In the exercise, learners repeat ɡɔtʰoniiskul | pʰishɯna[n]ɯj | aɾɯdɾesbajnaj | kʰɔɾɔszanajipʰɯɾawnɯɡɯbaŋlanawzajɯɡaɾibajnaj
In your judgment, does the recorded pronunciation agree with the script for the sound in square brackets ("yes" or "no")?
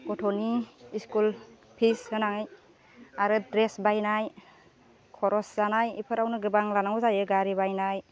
no